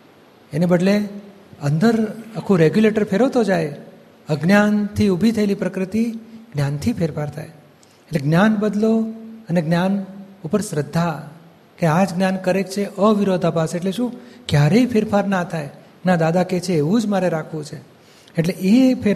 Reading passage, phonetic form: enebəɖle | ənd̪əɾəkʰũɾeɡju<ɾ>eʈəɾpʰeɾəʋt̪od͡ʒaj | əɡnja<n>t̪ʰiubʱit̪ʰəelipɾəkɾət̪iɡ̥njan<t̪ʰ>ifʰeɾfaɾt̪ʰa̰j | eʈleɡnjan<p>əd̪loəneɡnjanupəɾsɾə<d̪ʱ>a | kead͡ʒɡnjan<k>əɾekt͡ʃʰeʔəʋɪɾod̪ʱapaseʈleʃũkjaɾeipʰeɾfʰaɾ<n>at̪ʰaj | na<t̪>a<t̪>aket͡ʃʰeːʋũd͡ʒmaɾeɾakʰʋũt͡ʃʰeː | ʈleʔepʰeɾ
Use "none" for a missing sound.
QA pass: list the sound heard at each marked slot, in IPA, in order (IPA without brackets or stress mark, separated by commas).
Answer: l, n, t̪ʰ, b, d̪ʱː, k, n, d̪, d̪